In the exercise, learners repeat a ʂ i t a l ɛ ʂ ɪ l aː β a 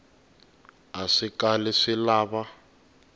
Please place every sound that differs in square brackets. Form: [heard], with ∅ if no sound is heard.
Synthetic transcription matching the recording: a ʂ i [k] a l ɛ ʂ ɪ l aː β a